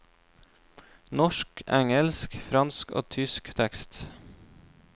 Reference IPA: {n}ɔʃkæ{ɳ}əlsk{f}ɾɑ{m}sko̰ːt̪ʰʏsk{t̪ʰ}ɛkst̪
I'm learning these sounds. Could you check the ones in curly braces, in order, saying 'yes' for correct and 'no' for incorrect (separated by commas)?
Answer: yes, no, yes, no, yes